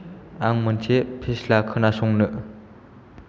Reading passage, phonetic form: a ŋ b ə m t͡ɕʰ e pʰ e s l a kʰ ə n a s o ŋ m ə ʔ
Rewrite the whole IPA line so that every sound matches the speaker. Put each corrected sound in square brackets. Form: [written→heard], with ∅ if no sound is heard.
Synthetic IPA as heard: a ŋ [b→m] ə [m→n] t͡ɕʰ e pʰ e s l a kʰ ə n a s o ŋ [m→n] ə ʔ